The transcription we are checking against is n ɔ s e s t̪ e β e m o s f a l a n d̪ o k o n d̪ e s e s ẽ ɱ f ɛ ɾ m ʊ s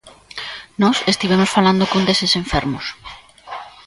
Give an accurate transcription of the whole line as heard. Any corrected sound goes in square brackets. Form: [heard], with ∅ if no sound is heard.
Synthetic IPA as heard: n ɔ s e s t̪ [i] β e m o s f a l a n d̪ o k o n d̪ e s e s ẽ ɱ f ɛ ɾ m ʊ s